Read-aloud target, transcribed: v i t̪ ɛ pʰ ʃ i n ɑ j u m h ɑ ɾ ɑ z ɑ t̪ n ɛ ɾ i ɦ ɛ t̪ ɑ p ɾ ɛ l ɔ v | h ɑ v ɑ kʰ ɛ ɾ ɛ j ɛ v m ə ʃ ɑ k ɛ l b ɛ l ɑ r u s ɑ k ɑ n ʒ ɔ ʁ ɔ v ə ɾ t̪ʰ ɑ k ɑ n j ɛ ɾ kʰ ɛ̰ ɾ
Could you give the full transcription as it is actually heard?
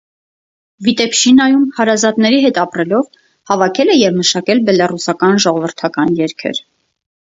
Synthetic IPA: v i t̪ ɛ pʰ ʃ i n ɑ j u m h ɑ ɾ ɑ z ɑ t̪ n ɛ ɾ i ɦ ɛ t̪ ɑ p ɾ ɛ l ɔ v | h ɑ v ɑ kʰ ɛ l ɛ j ɛ v m ə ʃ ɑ k ɛ l b ɛ l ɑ r u s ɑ k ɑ n ʒ ɔ ʁ ɔ v ə ɾ t̪ʰ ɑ k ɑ n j ɛ ɾ kʰ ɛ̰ ɾ